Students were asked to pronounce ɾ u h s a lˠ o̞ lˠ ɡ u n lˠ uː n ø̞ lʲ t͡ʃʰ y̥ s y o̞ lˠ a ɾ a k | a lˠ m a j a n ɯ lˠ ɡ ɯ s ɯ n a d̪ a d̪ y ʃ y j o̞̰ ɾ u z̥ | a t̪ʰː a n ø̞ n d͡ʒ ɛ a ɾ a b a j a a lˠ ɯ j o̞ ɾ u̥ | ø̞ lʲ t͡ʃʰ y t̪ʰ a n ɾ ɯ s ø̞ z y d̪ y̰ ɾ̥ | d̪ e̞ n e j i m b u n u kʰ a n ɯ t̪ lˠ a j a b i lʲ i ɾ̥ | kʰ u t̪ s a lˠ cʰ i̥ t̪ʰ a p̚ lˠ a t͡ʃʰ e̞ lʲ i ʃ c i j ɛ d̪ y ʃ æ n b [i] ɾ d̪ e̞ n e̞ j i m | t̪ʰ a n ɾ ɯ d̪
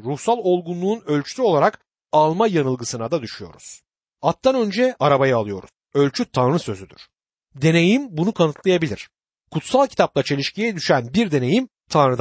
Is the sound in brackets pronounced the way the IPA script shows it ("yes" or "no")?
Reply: yes